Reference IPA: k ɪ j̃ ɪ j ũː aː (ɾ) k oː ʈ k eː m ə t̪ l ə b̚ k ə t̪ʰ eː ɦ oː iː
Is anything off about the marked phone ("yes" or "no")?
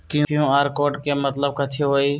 no